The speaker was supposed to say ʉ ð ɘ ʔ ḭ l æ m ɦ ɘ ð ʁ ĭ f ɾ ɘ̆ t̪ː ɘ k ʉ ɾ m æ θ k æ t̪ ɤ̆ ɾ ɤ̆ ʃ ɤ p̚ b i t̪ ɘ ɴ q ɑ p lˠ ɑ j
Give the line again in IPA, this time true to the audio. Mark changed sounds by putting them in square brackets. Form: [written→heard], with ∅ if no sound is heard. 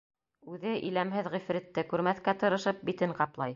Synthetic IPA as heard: ʉ ð ɘ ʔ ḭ l æ m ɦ ɘ ð ʁ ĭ f ɾ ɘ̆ t̪ː ɘ k ʉ ɾ m æ θ k æ t̪ ɤ̆ ɾ ɤ̆ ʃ ɤ p̚ b i t̪ ɘ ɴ q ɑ p lˠ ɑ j